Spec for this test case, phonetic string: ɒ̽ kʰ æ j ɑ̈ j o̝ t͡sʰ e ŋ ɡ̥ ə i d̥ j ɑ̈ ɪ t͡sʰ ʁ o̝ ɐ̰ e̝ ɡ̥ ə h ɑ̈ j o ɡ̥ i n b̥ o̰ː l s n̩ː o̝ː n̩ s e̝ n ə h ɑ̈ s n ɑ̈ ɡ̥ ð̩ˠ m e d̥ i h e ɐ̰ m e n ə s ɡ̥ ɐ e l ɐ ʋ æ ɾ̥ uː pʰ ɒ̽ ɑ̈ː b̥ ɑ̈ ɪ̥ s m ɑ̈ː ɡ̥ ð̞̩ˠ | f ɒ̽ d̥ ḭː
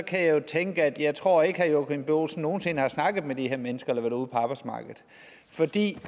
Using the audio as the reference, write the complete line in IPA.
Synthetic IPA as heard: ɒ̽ kʰ æ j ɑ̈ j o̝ t͡sʰ e ŋ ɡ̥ ə æ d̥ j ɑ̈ ɪ t͡sʰ ʁ o̝ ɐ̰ e̝ ɡ̥ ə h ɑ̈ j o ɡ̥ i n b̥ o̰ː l s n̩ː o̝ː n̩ s e̝ n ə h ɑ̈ s n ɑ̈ ɡ̥ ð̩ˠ m e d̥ i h e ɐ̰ m e n ə s ɡ̥ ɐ e l ɐ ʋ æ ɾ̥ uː pʰ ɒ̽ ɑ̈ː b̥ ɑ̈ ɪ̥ s m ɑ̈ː ɡ̥ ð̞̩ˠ | f ɒ̽ d̥ ḭː